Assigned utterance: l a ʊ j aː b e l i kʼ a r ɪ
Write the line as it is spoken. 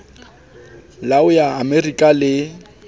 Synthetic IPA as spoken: l a ʊ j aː m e r i kʼ a l ɪ

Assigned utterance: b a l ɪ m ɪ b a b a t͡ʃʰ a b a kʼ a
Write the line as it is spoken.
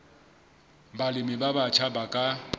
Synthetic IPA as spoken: b a l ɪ m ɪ b a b a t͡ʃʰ a b a kʼ a

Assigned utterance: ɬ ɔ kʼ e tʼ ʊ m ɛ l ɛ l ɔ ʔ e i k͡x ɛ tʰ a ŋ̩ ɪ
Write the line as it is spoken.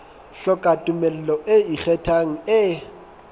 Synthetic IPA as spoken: ɬ ɔ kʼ a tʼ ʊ m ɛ l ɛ l ɔ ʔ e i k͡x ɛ tʰ a ŋ̩ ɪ

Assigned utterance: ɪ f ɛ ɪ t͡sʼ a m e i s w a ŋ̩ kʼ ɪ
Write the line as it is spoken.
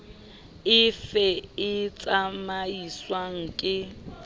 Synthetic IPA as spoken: ɪ f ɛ ɪ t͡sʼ a m a i s w a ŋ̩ kʼ ɪ

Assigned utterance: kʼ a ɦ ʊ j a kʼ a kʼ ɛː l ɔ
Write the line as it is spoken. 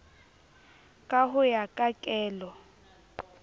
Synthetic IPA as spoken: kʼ a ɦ ʊ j a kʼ a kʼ ɛː l ɔ

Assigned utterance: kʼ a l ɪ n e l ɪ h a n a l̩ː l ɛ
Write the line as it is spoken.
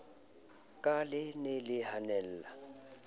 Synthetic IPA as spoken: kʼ a l ɪ n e l ɪ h a n ɛ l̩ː l a

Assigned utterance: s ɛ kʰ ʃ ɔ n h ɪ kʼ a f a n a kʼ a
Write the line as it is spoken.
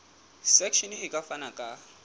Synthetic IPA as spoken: s ɛ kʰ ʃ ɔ n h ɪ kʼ a f a n a kʼ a

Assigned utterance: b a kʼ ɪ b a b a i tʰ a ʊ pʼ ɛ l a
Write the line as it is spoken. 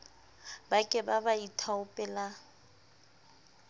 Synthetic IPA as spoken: b a kʼ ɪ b a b a i tʰ a ʊ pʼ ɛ l a

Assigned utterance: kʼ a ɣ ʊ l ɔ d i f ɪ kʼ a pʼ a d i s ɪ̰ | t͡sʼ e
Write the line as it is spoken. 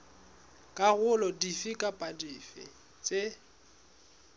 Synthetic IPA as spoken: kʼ a ɣ ʊ l ɔ d i f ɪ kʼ a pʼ a d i f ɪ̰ | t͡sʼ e

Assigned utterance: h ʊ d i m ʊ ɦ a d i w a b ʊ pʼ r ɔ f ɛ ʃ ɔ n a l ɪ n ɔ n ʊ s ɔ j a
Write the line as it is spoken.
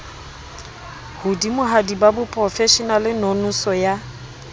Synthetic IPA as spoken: h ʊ d i m ʊ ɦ a d i b a b ʊ pʼ r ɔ f ɛ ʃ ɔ n a l ɪ n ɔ n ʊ s ɔ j a

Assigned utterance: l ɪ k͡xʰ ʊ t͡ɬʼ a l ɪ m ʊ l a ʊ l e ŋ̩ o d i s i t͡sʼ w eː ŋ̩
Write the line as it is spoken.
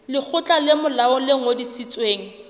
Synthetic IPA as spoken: l ɪ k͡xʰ ʊ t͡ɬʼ a l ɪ m ʊ l a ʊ l e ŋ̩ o d i s i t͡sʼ w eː ŋ̩

